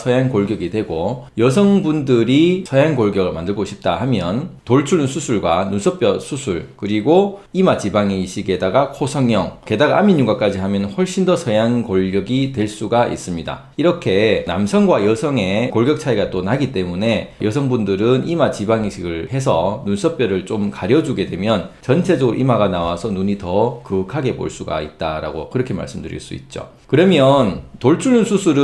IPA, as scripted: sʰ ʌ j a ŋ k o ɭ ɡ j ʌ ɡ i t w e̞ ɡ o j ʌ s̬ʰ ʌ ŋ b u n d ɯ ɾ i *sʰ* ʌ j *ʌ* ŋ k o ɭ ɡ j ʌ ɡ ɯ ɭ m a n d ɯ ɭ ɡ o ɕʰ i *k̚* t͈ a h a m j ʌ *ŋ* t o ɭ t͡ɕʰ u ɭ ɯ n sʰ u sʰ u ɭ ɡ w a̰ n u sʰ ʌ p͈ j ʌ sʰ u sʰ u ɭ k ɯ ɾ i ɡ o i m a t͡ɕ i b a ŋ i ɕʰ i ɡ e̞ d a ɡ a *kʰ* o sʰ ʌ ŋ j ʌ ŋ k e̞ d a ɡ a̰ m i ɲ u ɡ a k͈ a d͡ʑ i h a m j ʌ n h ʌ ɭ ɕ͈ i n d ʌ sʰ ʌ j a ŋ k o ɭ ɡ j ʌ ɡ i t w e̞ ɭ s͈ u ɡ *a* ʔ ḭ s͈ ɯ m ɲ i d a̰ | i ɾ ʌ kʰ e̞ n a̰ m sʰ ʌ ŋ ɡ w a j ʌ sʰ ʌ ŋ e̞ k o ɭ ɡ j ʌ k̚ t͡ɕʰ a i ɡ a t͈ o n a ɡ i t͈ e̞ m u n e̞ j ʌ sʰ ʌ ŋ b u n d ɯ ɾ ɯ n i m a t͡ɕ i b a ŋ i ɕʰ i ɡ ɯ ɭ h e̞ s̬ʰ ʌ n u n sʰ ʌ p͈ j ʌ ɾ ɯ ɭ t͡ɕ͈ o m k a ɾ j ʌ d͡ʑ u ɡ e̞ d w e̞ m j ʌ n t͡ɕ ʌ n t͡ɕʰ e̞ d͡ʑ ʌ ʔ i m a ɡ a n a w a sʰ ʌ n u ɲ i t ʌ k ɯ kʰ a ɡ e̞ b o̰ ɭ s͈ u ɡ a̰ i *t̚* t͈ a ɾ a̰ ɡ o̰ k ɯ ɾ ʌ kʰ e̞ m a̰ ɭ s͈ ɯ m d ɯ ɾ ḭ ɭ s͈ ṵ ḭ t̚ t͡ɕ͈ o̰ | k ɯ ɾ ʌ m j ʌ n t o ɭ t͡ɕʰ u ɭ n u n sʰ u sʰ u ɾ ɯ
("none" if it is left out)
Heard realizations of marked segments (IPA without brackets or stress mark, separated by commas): sʰ, a, p̚, n, kʰ, a, t̚